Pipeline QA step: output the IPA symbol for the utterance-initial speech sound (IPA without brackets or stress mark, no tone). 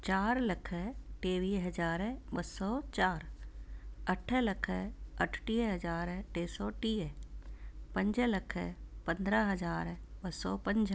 t͡ʃ